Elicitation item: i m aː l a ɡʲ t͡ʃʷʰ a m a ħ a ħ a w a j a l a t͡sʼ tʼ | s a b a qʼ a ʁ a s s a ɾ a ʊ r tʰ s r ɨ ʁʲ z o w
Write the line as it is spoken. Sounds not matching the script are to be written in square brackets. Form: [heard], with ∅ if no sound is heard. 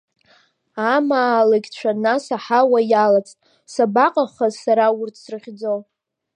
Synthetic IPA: [a] m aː l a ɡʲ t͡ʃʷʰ a [n] a [s] a ħ a w a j a l a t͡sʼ tʼ | s a b a qʼ a [χ] a [z] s a ɾ a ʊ r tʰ s r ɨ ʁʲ [d͡z] o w